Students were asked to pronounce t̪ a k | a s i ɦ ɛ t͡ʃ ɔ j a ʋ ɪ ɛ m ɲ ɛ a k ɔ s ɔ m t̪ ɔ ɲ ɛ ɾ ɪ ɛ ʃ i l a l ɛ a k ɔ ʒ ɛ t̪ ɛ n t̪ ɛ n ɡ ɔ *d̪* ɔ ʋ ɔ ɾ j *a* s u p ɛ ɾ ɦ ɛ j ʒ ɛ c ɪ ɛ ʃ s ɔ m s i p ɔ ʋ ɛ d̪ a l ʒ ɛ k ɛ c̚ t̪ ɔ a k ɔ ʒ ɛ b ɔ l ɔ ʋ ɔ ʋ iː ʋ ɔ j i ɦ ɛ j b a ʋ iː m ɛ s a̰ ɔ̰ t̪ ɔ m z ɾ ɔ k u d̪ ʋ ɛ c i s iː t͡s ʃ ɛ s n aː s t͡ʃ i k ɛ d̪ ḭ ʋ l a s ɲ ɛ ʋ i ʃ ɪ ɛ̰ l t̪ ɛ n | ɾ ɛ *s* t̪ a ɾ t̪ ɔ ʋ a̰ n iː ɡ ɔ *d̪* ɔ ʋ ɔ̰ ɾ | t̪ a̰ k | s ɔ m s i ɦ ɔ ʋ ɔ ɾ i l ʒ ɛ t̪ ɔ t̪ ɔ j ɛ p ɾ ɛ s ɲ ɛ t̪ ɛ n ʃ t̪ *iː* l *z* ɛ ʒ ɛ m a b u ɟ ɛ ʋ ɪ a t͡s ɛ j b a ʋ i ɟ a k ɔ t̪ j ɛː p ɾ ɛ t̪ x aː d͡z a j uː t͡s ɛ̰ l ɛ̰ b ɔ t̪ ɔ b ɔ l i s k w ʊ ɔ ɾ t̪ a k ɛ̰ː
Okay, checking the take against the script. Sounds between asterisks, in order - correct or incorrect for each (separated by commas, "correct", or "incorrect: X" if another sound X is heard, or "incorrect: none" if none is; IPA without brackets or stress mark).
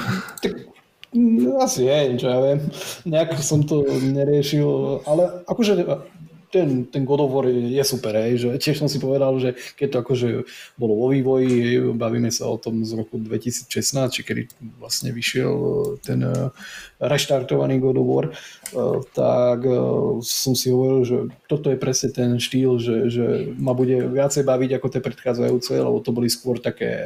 correct, incorrect: ɛ, incorrect: ʃ, correct, correct, incorrect: ʒ